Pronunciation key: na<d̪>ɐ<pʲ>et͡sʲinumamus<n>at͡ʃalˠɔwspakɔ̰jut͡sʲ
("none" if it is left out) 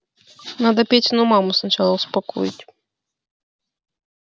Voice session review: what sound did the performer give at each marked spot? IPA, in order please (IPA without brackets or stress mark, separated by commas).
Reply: d̪, pʲ, n